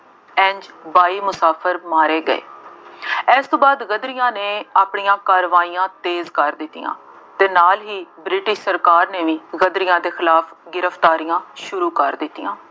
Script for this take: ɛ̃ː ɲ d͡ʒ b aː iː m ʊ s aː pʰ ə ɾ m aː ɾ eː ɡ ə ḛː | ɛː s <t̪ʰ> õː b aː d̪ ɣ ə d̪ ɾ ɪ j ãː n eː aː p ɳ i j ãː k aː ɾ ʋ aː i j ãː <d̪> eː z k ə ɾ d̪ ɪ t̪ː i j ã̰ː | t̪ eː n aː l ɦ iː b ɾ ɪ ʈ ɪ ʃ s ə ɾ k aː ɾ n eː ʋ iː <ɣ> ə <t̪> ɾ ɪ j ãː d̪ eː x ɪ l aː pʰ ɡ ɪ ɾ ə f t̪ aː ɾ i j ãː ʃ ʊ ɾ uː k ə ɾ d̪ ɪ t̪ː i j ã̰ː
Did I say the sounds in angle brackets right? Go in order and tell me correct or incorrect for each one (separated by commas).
incorrect, incorrect, correct, incorrect